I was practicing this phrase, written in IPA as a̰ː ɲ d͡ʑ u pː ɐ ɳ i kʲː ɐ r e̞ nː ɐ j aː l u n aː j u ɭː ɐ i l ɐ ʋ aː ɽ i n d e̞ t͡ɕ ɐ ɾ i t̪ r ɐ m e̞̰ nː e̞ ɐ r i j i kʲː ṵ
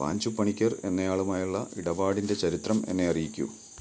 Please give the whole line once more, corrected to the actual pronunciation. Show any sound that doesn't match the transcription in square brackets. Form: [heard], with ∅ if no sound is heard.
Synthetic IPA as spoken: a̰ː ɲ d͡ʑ u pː ɐ ɳ i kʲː ɐ r e̞ nː ɐ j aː [ɭ] u [m] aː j u ɭː ɐ i [ɽ] ɐ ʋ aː ɽ i n d e̞ t͡ɕ ɐ ɾ i t̪ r ɐ m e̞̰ nː e̞ ɐ r i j i kʲː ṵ

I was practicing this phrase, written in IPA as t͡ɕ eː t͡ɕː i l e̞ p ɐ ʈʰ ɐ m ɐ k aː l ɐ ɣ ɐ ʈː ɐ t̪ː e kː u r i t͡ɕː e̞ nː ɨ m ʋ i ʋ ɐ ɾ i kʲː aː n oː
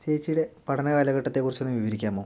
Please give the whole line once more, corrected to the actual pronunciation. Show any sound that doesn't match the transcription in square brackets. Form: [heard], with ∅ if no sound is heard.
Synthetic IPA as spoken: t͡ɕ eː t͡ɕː i [ɽ] e̞ p ɐ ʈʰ ɐ [n] ɐ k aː l ɐ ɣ ɐ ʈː ɐ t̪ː e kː u r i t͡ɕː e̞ nː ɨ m ʋ i ʋ ɐ ɾ i kʲː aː [m] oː

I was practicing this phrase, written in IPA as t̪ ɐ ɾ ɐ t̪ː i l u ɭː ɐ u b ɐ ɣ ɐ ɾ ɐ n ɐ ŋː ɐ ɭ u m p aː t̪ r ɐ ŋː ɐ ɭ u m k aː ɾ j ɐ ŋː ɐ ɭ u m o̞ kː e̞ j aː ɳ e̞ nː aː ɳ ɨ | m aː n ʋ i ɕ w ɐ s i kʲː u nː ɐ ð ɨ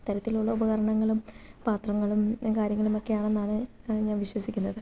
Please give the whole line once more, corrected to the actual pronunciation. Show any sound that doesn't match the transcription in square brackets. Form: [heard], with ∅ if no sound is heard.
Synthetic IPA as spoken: t̪ ɐ ɾ ɐ t̪ː i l u ɭː ɐ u b ɐ ɣ ɐ ɾ ɐ [ɳ] ɐ ŋː ɐ ɭ u m p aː t̪ r ɐ ŋː ɐ ɭ u m k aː ɾ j ɐ ŋː ɐ ɭ u m o̞ kː e̞ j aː ɳ e̞ nː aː ɳ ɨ | [ɲ] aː n ʋ i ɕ w ɐ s i kʲː u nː ɐ ð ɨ

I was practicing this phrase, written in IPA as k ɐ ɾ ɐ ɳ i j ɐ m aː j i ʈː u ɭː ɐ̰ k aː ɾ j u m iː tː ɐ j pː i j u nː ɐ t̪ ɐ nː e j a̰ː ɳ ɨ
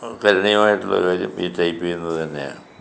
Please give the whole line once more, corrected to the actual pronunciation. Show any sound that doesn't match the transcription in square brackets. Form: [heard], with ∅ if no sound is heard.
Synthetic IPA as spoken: k ɐ ɾ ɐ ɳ i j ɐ m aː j i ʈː u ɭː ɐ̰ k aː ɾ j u m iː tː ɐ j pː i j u nː ɐ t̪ ɐ nː e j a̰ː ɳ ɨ

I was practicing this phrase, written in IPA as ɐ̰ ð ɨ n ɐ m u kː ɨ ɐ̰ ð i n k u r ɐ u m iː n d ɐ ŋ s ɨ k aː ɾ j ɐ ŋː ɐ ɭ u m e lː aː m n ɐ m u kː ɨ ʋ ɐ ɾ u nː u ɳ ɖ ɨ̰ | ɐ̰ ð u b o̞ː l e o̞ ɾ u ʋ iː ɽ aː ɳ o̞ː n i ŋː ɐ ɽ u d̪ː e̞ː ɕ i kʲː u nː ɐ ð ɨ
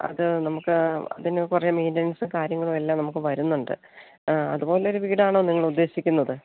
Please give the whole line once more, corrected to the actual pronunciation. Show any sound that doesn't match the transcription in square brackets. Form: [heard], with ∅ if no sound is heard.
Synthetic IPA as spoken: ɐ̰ ð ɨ n ɐ m u kː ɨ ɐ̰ ð i n k u r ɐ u m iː n d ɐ [n] s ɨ k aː ɾ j ɐ ŋː ɐ ɭ u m e lː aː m n ɐ m u kː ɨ ʋ ɐ ɾ u nː u ɳ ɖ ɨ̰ | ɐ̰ ð u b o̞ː l e o̞ ɾ u ʋ iː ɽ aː ɳ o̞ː n i ŋː ɐ [ɭ] u d̪ː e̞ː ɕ i kʲː u nː ɐ ð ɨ

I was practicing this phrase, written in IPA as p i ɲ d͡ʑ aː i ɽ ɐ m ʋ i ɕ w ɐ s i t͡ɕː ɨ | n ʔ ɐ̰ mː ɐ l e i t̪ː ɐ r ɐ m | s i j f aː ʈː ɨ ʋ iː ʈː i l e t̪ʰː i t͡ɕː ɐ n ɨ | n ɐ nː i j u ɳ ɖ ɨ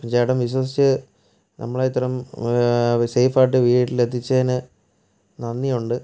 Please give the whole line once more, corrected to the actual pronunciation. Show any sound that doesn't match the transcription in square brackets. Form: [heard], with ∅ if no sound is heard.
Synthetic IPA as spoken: p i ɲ d͡ʑ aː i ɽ ɐ m ʋ i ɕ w ɐ s i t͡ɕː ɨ | n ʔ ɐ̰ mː ɐ [ɭ] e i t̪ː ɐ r ɐ m | s [e] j f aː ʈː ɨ ʋ iː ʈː i l e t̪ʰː i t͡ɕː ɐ n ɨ | n ɐ nː i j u ɳ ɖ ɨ

